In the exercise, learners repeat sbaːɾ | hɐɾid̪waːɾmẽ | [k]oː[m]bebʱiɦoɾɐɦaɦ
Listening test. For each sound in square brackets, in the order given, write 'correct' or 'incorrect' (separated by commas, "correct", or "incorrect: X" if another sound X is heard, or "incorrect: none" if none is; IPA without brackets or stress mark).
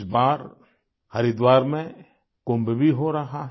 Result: correct, correct